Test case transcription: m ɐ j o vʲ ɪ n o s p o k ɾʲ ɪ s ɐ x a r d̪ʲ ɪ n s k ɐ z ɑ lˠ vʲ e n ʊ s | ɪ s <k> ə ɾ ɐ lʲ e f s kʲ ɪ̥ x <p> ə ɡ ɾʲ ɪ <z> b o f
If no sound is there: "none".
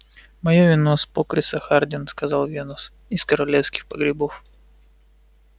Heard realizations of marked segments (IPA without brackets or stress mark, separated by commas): k, p, none